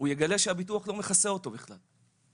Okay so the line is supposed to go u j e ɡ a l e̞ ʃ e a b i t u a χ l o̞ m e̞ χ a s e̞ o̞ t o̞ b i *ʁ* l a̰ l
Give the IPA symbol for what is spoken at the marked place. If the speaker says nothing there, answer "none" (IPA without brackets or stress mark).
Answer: χ